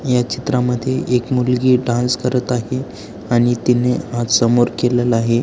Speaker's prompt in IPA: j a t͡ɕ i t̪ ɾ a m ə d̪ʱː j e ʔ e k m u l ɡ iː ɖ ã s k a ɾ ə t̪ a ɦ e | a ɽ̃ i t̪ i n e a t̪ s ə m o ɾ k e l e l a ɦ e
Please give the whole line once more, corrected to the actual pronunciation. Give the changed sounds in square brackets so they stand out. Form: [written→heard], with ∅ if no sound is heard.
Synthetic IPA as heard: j a t͡ɕ i t̪ ɾ a m ə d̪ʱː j e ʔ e k m u l ɡ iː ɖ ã s k [a→ə] ɾ ə t̪ a ɦ e | a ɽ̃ i t̪ i n e a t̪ s ə m o ɾ k e l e l a ɦ e